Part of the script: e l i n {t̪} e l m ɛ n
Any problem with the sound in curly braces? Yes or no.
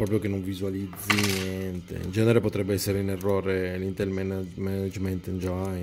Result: no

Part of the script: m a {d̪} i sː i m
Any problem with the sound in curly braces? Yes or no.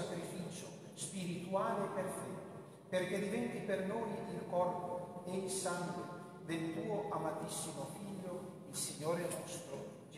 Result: yes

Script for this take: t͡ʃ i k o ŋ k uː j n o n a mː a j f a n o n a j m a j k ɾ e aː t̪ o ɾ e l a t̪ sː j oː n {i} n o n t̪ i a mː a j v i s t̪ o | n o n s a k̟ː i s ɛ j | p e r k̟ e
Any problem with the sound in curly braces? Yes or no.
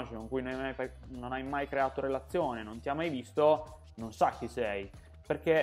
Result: yes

